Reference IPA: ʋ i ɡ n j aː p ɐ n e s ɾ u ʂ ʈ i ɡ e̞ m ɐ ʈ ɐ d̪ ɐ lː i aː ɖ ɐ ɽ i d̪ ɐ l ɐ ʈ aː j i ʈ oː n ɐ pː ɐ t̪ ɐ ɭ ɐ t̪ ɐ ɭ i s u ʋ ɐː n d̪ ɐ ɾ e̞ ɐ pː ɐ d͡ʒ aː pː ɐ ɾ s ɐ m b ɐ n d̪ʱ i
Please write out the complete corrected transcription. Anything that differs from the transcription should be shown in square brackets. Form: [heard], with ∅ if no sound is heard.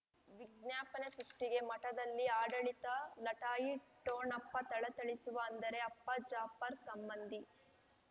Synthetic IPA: ʋ i ɡ n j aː p ɐ n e s ɾ u ʂ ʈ i ɡ e̞ m ɐ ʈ ɐ d̪ ɐ lː i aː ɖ ɐ [ɭ] i [t̪] ɐ l ɐ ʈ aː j i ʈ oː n ɐ pː ɐ t̪ ɐ ɭ ɐ t̪ ɐ ɭ i s u ʋ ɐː n d̪ ɐ ɾ e̞ ɐ pː ɐ d͡ʒ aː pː ɐ ɾ s ɐ m b ɐ n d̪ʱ i

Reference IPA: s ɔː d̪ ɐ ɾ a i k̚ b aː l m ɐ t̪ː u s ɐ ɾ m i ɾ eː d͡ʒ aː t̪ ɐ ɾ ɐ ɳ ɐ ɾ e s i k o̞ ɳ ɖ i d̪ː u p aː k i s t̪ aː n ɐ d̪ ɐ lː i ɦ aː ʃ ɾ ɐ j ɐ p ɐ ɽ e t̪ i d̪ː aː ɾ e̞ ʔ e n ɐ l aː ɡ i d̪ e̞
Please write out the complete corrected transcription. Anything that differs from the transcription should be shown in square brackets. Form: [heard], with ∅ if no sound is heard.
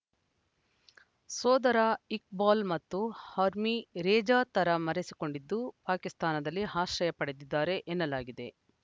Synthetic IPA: s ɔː d̪ ɐ ɾ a i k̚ b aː l m ɐ t̪ː u [h] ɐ ɾ m i ɾ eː d͡ʒ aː t̪ ɐ ɾ ɐ [m] ɐ ɾ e s i k o̞ ɳ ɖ i d̪ː u p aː k i s t̪ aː n ɐ d̪ ɐ lː i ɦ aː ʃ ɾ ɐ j ɐ p ɐ ɽ e [d̪] i d̪ː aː ɾ e̞ ʔ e [nː] ɐ l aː ɡ i d̪ e̞

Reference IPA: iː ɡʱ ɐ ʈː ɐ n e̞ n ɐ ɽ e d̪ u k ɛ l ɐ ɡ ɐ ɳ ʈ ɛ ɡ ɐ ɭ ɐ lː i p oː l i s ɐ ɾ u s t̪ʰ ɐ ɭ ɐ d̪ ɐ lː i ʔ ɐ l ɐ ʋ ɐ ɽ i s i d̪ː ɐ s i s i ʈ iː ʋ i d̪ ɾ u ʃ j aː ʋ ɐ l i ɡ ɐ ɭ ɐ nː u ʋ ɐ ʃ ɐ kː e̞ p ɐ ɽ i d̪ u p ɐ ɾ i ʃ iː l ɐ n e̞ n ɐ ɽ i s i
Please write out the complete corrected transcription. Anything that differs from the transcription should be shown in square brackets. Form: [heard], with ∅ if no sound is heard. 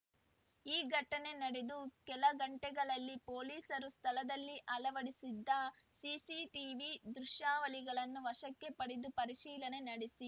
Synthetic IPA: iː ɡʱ ɐ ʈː ɐ n e̞ n ɐ ɽ e d̪ u k ɛ l ɐ ɡ ɐ ɳ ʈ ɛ ɡ ɐ ɭ ɐ lː i p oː l [iː] s ɐ ɾ u s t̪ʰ ɐ [l] ɐ d̪ ɐ lː i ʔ ɐ l ɐ ʋ ɐ ɽ i s i d̪ː ɐ s i s i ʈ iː ʋ i d̪ ɾ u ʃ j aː ʋ ɐ l i ɡ ɐ ɭ ɐ nː u ʋ ɐ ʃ ɐ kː e̞ p ɐ ɽ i d̪ u p ɐ ɾ i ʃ iː l ɐ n e̞ n ɐ ɽ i s i

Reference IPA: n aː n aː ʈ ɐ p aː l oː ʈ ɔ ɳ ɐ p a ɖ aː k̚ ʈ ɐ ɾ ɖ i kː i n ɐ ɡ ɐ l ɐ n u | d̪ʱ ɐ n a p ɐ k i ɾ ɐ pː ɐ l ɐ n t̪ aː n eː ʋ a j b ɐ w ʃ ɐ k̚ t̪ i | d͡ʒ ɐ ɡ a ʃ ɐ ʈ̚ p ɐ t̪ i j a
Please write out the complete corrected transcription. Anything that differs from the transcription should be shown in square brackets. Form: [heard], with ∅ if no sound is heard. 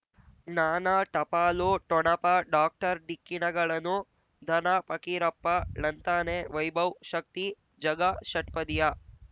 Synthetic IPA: n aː n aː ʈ ɐ p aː l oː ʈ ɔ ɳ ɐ p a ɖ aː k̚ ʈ ɐ ɾ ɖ i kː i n ɐ ɡ ɐ [ɭ] ɐ n u | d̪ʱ ɐ n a p ɐ k i ɾ ɐ pː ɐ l ɐ n t̪ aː n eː ʋ [ɐ] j b ɐ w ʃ ɐ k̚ t̪ i | d͡ʒ ɐ ɡ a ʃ ɐ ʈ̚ p ɐ [d̪] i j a

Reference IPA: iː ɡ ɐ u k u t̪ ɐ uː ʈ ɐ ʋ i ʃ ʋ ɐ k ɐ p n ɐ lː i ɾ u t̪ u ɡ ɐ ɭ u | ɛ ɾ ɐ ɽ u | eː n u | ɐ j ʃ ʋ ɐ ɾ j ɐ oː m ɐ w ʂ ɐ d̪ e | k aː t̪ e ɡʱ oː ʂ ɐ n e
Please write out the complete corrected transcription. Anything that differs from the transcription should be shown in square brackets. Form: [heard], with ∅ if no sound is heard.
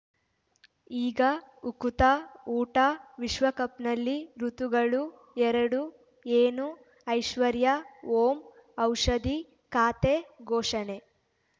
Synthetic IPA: iː ɡ ɐ u k u t̪ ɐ uː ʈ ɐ ʋ i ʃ ʋ ɐ k ɐ p n ɐ lː i ɾ u t̪ u ɡ ɐ ɭ u | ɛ ɾ ɐ ɽ u | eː n u | ɐ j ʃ ʋ ɐ ɾ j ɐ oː m ɐ w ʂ ɐ d̪ [i] | k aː t̪ e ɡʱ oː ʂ ɐ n e

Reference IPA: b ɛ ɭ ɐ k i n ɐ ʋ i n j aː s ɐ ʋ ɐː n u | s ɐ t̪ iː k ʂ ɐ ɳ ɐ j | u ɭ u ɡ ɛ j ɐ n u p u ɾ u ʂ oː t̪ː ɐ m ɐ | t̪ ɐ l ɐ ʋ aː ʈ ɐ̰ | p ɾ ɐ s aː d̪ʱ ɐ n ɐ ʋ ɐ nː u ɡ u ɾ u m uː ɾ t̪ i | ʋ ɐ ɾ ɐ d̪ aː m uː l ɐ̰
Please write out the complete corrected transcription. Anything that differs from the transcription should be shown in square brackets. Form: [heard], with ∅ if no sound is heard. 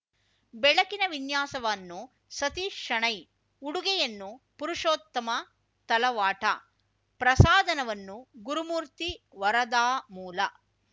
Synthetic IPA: b ɛ ɭ ɐ k i n ɐ ʋ i n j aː s ɐ ʋ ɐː [nː] u | s ɐ t̪ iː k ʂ ɐ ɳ ɐ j | u [ɽ] u ɡ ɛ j ɐ [nː] u p u ɾ u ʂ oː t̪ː ɐ m ɐ | t̪ ɐ l ɐ ʋ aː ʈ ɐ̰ | p ɾ ɐ s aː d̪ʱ ɐ n ɐ ʋ ɐ nː u ɡ u ɾ u m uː ɾ t̪ i | ʋ ɐ ɾ ɐ d̪ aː m uː l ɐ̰

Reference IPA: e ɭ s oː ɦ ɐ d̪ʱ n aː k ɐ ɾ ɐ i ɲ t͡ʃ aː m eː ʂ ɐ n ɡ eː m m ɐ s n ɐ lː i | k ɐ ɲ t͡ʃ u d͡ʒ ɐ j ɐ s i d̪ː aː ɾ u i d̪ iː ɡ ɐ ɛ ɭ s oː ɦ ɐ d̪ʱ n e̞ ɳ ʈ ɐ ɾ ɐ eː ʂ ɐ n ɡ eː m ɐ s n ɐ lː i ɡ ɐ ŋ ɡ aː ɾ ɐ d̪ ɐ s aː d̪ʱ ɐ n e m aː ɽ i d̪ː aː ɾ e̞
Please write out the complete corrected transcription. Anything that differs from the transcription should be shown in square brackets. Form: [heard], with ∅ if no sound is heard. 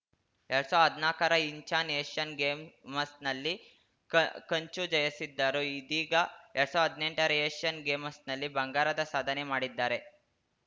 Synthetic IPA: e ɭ s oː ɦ ɐ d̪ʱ n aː k ɐ ɾ ɐ i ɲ t͡ʃ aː [n] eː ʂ ɐ n ɡ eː m m ɐ s n ɐ lː i | k ɐ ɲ t͡ʃ u d͡ʒ ɐ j ɐ s i d̪ː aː ɾ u i d̪ iː ɡ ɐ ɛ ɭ s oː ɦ ɐ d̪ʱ n e̞ ɳ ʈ ɐ ɾ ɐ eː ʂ ɐ n ɡ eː m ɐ s n ɐ lː i [b] ɐ ŋ ɡ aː ɾ ɐ d̪ ɐ s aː d̪ʱ ɐ n e m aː ɽ i d̪ː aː ɾ e̞

